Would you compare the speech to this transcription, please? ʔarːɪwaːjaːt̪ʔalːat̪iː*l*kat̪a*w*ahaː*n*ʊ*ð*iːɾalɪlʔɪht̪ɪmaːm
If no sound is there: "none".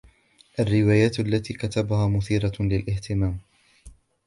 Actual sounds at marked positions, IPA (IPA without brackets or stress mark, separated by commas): none, b, m, θ